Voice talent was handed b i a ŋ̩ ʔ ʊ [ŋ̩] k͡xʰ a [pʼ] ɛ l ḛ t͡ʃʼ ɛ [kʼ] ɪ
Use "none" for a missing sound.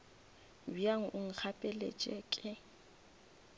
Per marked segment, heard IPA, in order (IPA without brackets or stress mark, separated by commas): ŋ̩, pʼ, kʼ